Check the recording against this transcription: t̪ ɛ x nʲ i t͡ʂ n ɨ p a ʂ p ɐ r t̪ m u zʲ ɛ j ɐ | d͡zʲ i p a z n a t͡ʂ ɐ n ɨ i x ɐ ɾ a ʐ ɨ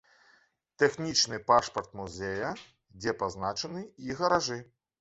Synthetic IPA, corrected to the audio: t̪ ɛ x nʲ i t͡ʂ n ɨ p a ʂ p ɐ r t̪ m u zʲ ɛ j ɐ | d͡zʲ ɛ p a z n a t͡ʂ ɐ n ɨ i ɣ ɐ ɾ a ʐ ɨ